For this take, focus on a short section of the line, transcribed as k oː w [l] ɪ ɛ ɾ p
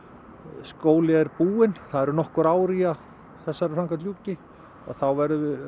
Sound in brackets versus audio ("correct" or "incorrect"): correct